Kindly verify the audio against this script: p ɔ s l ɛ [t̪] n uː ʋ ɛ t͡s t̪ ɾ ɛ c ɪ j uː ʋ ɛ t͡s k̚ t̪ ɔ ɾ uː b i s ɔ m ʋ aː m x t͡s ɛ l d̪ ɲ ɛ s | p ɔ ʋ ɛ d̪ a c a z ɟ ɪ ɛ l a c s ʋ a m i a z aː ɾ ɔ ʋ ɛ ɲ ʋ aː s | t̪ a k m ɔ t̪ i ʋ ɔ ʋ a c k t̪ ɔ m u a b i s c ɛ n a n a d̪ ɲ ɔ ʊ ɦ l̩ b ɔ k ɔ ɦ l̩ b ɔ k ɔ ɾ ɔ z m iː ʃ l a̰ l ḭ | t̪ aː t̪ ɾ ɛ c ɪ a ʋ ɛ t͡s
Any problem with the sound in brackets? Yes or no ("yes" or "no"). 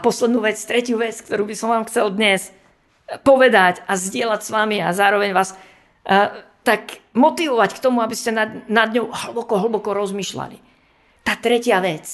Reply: yes